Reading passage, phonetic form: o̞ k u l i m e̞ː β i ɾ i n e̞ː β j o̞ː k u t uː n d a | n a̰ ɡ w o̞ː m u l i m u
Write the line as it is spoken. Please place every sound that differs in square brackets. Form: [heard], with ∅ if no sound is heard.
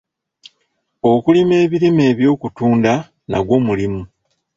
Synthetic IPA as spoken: o̞ k u l i m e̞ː β i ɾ i [m] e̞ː β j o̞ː k u t uː n d a | n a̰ ɡ w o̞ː m u l i m u